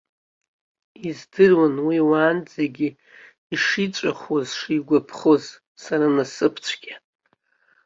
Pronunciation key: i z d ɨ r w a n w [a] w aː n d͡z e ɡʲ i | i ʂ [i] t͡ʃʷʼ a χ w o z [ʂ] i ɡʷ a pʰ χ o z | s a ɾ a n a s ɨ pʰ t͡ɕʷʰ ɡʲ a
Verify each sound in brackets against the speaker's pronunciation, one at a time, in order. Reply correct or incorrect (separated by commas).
incorrect, correct, correct